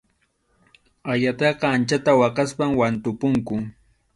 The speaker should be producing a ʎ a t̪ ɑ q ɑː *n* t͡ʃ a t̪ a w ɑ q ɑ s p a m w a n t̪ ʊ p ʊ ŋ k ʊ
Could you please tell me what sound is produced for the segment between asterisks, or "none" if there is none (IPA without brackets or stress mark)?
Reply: n